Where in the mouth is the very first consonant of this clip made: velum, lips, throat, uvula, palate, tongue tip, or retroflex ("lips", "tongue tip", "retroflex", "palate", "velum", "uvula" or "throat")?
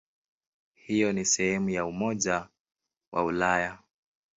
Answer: throat